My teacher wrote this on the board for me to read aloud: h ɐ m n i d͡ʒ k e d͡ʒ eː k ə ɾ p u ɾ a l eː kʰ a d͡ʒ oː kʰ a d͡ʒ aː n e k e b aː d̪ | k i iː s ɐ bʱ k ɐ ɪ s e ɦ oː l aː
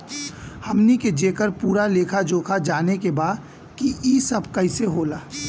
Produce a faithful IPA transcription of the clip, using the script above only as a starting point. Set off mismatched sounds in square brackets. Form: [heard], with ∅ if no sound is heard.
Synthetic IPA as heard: h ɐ m n i [∅] k e d͡ʒ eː k ə ɾ p [uː] ɾ a l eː kʰ a d͡ʒ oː kʰ a d͡ʒ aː n e k e b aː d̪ | k i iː s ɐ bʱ k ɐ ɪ s e ɦ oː l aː